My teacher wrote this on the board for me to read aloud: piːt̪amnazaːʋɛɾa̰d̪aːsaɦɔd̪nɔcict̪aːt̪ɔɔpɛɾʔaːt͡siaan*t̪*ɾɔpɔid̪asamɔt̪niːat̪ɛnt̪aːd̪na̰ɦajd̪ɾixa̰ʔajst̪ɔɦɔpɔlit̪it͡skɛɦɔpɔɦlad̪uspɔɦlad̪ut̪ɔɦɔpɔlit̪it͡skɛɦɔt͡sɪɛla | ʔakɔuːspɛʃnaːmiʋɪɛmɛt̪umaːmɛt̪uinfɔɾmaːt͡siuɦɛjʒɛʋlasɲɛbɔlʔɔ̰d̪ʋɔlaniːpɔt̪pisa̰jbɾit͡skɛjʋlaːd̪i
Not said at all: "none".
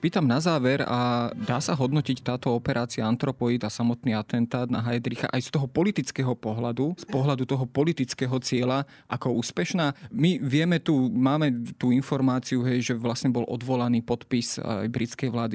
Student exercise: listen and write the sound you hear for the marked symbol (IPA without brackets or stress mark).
t̪